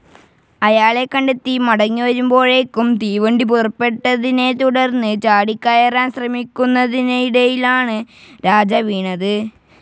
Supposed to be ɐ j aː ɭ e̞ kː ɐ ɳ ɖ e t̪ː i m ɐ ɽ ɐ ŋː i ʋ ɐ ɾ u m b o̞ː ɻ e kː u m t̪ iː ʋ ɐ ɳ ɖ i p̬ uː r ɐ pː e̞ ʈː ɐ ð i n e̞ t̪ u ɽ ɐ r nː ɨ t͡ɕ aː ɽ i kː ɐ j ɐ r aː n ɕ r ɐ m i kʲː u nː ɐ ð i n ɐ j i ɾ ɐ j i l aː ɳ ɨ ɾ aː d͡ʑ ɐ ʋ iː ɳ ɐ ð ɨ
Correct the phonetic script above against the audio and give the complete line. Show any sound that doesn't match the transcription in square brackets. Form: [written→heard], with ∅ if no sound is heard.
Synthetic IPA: ɐ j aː ɭ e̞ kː ɐ ɳ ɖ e t̪ː i m ɐ ɽ ɐ ŋː i ʋ ɐ ɾ u m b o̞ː ɻ e kː u m t̪ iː ʋ ɐ ɳ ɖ i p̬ [uː→u] r ɐ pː e̞ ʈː ɐ ð i n e̞ t̪ u ɽ ɐ r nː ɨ t͡ɕ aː ɽ i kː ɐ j ɐ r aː n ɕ r ɐ m i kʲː u nː ɐ ð i n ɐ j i [ɾ→ɽ] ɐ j i l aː ɳ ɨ ɾ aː d͡ʑ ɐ ʋ iː ɳ ɐ ð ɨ